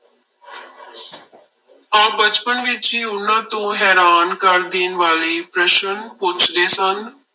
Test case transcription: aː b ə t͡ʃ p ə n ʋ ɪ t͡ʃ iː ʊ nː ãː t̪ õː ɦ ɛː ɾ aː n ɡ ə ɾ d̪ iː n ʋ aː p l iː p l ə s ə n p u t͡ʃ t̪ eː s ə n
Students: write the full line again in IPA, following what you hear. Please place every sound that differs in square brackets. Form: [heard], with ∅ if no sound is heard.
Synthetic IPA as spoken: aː b ə t͡ʃ p ə n ʋ ɪ t͡ʃ iː ʊ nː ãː t̪ õː ɦ ɛː ɾ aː n [k] ə ɾ d̪ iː n ʋ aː [∅] l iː p [ɾ] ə [ʃ] ə n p [ʊ] t͡ʃ [d̪] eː s ə n